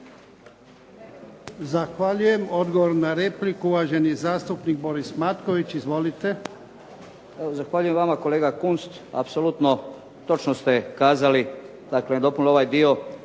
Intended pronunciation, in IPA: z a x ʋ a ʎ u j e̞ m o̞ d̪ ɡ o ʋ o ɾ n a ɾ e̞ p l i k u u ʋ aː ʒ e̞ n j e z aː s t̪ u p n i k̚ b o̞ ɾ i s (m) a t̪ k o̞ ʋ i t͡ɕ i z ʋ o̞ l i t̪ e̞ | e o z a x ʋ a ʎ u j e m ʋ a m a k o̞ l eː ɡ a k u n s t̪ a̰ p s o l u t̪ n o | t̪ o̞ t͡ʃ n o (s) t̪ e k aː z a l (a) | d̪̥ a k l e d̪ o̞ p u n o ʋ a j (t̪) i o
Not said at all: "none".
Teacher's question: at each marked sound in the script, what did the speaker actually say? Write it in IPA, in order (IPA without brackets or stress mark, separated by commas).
m, s, i, d̪